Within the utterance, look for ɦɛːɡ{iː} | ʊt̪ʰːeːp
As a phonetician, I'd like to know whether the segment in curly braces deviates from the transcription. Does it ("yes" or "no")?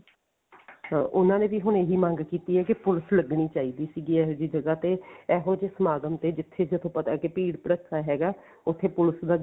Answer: yes